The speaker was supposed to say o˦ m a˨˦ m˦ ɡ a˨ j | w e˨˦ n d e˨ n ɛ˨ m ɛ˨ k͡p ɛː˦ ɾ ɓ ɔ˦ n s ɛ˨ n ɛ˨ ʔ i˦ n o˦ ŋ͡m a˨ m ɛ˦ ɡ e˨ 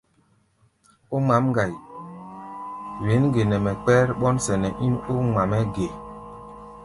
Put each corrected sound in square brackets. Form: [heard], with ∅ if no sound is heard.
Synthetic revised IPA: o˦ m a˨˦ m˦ ɡ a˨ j | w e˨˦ n [ɡ] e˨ n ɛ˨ m ɛ˨ k͡p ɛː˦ ɾ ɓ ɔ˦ n s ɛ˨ n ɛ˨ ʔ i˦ n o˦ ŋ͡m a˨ m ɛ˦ ɡ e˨